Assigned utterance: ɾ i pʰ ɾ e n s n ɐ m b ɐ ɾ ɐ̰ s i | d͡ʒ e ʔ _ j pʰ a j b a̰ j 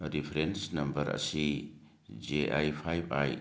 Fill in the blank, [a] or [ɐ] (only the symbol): a